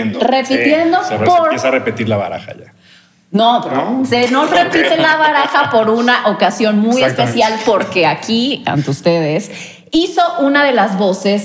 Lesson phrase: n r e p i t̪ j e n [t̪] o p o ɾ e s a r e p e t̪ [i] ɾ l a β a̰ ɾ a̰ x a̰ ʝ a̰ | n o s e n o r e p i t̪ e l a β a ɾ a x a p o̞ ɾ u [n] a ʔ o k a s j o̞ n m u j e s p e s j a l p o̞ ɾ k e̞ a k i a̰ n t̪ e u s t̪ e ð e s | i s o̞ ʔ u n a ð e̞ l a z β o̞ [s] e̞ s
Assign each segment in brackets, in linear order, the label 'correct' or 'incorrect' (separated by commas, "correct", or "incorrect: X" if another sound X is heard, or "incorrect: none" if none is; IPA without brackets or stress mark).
incorrect: d̪, correct, correct, correct